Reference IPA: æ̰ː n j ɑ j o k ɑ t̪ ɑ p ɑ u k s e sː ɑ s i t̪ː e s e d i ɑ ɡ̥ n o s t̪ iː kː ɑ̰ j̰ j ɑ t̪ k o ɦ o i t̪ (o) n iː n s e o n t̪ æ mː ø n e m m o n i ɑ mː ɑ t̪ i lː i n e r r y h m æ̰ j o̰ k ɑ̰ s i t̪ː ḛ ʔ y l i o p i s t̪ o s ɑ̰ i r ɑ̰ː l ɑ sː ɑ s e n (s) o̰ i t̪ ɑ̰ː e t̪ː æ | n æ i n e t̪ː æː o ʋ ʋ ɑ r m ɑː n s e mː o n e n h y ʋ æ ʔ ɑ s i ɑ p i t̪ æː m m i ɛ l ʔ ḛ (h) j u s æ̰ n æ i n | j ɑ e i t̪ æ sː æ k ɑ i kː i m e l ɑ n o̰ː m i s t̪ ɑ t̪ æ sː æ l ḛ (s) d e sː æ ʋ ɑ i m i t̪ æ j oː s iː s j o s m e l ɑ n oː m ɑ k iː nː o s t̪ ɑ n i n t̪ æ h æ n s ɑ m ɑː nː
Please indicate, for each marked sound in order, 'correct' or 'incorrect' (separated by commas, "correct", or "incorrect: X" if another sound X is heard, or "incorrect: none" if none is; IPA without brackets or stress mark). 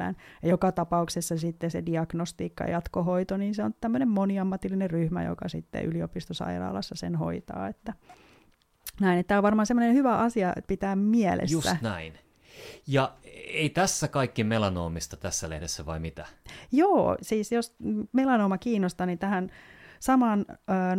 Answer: correct, incorrect: h, incorrect: s, incorrect: h